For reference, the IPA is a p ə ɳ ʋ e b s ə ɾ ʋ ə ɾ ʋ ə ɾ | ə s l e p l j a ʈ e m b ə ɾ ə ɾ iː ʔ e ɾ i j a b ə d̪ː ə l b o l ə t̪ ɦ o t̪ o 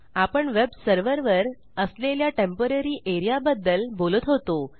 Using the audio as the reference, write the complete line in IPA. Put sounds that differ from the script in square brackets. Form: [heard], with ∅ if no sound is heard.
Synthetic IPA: a p ə ɳ ʋ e b s ə ɾ ʋ ə ɾ ʋ ə ɾ | ə s l e [∅] l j a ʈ e m [p] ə ɾ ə ɾ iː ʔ e ɾ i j a b ə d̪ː ə l b o l ə t̪ ɦ o t̪ o